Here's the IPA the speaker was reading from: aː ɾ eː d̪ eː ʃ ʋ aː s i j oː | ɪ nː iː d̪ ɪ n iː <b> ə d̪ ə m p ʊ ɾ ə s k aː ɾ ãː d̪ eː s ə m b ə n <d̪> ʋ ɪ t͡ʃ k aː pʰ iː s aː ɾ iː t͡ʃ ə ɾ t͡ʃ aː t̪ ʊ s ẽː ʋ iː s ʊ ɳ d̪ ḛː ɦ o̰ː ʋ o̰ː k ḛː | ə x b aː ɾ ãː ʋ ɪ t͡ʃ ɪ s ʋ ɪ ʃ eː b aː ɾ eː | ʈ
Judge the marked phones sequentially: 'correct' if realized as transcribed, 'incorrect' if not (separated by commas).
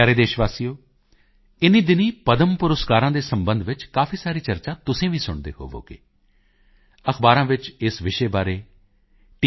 incorrect, correct